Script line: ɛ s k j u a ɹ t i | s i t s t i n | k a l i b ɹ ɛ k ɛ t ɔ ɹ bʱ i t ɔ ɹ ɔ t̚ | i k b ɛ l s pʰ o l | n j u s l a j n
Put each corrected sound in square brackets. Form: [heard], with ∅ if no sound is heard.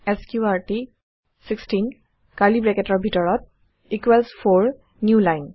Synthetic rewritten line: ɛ s k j u a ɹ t i | s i [k] s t i n | k a l i b ɹ ɛ k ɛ t ɔ ɹ bʱ i t ɔ ɹ ɔ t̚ | i k [w] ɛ l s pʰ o [ɹ] | n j u [∅] l a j n

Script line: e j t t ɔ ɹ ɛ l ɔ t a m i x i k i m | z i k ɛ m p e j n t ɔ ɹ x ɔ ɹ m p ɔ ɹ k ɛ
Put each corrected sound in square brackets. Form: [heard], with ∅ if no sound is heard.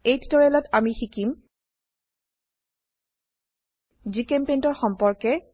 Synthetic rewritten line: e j t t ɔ ɹ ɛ l ɔ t a m i x i k i m | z i k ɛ m p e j n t ɔ ɹ x ɔ [∅] m p ɔ ɹ k ɛ

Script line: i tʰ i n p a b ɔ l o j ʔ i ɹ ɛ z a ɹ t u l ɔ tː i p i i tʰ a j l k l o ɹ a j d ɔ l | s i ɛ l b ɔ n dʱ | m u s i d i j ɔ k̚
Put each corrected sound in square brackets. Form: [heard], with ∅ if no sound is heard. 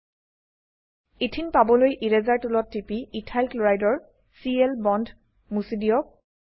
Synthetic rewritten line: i tʰ i n p a b ɔ l o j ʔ i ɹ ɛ z a ɹ t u l ɔ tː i p i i tʰ a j l k l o ɹ a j d ɔ [ɹ] | s i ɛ l b ɔ n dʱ | m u s i d i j ɔ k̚

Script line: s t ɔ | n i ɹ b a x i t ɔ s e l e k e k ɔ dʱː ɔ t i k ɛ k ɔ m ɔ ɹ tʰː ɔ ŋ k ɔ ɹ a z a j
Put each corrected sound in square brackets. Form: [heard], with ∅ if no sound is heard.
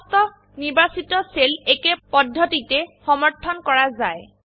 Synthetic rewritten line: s t ɔ | n i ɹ b a [s] i t ɔ s e l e k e [p] ɔ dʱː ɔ t i [t] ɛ [x] ɔ m ɔ ɹ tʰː ɔ [n] k ɔ ɹ a z a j

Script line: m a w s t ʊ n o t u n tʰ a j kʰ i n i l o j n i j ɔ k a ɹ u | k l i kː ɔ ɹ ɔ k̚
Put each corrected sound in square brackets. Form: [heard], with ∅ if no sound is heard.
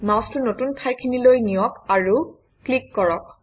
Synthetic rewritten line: m a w s t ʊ n o t u n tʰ a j kʰ i n i l o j n i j ɔ k a ɹ u | k l i kː ɔ ɹ ɔ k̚

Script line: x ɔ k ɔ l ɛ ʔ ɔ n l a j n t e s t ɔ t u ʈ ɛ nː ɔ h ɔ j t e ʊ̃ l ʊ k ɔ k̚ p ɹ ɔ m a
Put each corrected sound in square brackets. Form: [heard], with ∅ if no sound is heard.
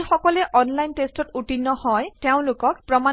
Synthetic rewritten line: x ɔ k ɔ l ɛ ʔ ɔ n l a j n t e s t ɔ t u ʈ [i] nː ɔ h ɔ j t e ʊ̃ l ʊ k ɔ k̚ p ɹ ɔ m a

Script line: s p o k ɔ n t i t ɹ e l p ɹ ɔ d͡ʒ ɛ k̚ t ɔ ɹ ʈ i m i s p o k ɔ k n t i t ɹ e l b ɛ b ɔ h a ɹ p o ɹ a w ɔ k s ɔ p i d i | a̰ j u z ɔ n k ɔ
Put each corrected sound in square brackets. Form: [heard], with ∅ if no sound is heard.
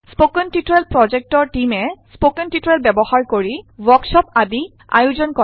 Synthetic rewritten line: s p o k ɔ n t i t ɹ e l p ɹ ɔ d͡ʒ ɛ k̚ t ɔ ɹ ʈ i m [ɛ] s p o k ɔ [∅] n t i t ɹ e l b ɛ b ɔ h a ɹ [k] o ɹ [i] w ɔ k s ɔ p [a] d i | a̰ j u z ɔ n k ɔ

